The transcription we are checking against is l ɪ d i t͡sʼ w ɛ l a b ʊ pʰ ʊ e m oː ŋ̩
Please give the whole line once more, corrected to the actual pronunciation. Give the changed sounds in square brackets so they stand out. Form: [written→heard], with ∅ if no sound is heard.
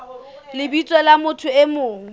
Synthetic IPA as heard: l ɪ [d→b] i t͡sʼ w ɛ l a [b→m] ʊ [pʰ→tʰ] ʊ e m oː ŋ̩